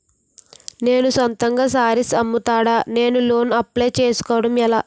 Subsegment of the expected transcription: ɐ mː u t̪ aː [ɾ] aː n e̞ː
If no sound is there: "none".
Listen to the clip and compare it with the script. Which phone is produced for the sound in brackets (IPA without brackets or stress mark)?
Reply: ɽ